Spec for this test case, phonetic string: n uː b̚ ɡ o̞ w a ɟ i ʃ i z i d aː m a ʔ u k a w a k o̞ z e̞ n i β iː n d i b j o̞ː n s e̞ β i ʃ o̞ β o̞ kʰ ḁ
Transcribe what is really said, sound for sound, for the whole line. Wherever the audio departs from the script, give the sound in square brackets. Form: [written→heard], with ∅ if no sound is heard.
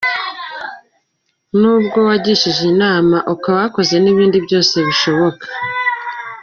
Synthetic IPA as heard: n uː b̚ ɡ o̞ w a ɟ i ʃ i [z→ʒ] i [d→n] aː m a ʔ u k a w a k o̞ z e̞ n i β iː n d i b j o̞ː [n→∅] s e̞ β i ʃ o̞ β o̞ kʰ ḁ

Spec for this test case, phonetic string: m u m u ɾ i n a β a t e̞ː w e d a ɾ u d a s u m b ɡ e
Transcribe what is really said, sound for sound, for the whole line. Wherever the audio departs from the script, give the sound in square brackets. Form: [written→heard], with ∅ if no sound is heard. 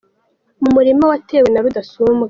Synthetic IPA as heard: m u m u ɾ i [n→m] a [β→w] a t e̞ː w e [d→n] a ɾ u d a s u m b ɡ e

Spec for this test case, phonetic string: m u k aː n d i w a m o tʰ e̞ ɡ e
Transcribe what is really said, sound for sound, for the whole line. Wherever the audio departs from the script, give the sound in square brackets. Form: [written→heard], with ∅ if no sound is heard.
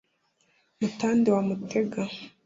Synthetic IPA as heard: m u [k→t] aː n d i w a m [o→u] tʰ e̞ ɡ [e→a]

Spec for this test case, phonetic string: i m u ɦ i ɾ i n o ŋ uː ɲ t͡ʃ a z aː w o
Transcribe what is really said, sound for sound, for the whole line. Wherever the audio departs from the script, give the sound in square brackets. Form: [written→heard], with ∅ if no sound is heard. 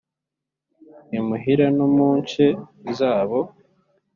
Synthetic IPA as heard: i m u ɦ i ɾ [i→a] n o [ŋ→m] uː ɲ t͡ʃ [a→e] z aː [w→β] o

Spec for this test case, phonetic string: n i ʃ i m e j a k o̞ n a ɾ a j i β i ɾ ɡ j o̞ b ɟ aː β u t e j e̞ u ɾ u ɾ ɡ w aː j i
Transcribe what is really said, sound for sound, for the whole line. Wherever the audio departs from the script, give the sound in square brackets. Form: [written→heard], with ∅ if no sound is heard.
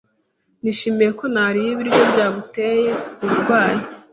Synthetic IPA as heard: n i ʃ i m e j [a→e] k o̞ n a ɾ [a→i] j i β i ɾ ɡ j o̞ b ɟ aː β u t e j e̞ u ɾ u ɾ ɡ w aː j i

